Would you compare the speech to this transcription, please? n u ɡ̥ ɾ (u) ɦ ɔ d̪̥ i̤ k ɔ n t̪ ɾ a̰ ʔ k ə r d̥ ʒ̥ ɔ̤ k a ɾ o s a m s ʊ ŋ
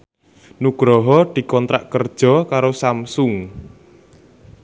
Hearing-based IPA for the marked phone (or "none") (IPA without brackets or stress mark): ɔ